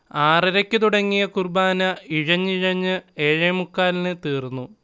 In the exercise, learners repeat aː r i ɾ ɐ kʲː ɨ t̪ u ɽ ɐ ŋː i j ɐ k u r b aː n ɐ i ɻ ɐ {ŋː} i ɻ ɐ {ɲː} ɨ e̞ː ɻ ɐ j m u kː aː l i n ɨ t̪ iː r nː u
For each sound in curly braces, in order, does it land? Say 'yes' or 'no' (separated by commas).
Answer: no, yes